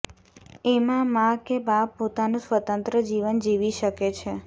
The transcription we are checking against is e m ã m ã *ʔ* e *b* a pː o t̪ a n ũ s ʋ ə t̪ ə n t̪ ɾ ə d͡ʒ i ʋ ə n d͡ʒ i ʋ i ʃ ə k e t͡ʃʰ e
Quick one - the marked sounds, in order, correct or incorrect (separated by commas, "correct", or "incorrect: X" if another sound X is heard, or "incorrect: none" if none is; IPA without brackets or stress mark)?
incorrect: k, correct